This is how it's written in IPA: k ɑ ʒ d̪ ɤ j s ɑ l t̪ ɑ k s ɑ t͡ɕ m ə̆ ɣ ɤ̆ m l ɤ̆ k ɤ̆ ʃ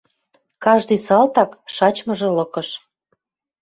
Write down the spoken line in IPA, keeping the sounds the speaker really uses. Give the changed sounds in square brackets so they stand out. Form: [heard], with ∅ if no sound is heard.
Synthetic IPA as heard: k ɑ ʒ d̪ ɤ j s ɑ l t̪ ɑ k [ʃ] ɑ t͡ɕ m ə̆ [ʒ] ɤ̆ [∅] l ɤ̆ k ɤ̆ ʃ